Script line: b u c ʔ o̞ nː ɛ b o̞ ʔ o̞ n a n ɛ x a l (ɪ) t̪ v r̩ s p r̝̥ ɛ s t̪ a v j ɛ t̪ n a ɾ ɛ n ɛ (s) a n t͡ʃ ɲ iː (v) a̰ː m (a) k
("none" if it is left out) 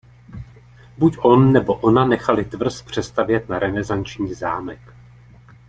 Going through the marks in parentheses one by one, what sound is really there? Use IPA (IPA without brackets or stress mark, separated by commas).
ɪ, z, z, ɛ